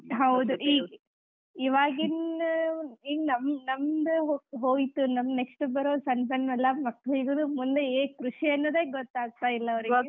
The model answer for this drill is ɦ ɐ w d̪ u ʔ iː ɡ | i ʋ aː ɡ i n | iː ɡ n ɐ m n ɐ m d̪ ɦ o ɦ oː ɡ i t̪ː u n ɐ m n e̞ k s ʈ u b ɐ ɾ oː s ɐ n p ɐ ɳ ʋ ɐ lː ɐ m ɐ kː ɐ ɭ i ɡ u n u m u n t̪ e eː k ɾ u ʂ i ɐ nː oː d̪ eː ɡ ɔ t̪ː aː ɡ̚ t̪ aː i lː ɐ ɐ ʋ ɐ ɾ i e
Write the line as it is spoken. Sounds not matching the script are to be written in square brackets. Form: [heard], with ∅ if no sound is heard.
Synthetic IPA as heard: ɦ ɐ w d̪ u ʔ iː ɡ | i ʋ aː ɡ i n | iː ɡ n ɐ m n ɐ m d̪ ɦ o ɦ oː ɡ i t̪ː u n ɐ m n e̞ k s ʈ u b ɐ ɾ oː s ɐ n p ɐ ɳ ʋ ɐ lː ɐ m ɐ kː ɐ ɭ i ɡ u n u m u n [d̪] e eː k ɾ u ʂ i ɐ nː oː d̪ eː ɡ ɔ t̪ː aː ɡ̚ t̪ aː i lː ɐ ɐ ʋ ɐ ɾ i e

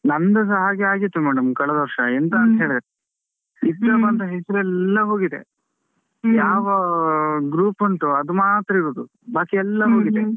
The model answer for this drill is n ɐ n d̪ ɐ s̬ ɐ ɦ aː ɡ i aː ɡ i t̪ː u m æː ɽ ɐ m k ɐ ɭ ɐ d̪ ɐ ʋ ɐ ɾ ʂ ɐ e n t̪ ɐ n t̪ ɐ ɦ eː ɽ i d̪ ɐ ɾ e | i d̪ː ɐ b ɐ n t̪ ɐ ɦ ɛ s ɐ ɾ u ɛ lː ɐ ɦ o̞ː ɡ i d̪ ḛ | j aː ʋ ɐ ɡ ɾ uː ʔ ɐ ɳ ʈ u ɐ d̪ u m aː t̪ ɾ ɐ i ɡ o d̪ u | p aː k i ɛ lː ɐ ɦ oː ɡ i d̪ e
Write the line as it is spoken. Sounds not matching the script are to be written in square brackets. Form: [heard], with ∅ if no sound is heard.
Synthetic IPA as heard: n ɐ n d̪ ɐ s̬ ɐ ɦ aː ɡ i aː ɡ i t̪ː u m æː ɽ ɐ m k ɐ ɭ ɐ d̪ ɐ ʋ ɐ ɾ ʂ ɐ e n t̪ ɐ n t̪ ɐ ɦ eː [ɭ] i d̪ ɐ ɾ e | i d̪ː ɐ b ɐ n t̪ ɐ ɦ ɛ s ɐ ɾ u ɛ lː ɐ ɦ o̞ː ɡ i d̪ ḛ | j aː ʋ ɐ ɡ ɾ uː [p] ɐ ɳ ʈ u ɐ d̪ u m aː t̪ ɾ ɐ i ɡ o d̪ u | [b] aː k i ɛ lː ɐ ɦ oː ɡ i d̪ e

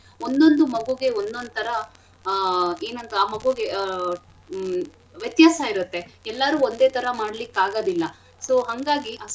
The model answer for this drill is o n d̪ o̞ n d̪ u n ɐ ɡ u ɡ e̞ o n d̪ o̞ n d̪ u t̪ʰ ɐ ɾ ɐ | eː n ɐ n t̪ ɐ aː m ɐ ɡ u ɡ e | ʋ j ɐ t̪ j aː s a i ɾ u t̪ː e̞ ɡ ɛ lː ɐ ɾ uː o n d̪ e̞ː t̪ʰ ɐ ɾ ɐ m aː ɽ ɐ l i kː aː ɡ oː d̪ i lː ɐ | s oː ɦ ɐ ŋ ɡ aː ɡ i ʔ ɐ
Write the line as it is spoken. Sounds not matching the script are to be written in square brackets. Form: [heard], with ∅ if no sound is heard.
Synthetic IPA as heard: o n d̪ o̞ n d̪ u [m] ɐ ɡ u ɡ e̞ o n d̪ o̞ n d̪ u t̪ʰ ɐ ɾ ɐ | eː n ɐ n t̪ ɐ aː m ɐ ɡ u ɡ e | ʋ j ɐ t̪ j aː s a i ɾ u t̪ː e̞ [∅] ɛ lː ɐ ɾ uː o n d̪ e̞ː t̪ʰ ɐ ɾ ɐ m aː ɽ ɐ l i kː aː ɡ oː d̪ i lː ɐ | s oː ɦ ɐ ŋ ɡ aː ɡ i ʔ ɐ

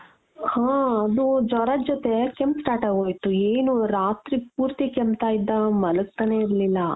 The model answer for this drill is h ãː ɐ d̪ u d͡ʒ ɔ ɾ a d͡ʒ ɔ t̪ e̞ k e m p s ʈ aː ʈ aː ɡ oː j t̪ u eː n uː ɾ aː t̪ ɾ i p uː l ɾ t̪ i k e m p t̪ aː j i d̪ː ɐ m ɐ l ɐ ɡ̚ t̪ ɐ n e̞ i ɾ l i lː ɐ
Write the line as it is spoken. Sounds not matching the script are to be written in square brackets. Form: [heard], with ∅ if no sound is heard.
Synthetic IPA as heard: h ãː ɐ d̪ u d͡ʒ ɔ ɾ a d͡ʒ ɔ t̪ e̞ k e m p s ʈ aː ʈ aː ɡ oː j t̪ u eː n [u] ɾ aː t̪ ɾ i p uː [∅] ɾ t̪ i k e m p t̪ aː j i d̪ː ɐ m ɐ l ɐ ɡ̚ t̪ ɐ n e̞ i ɾ l i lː ɐ

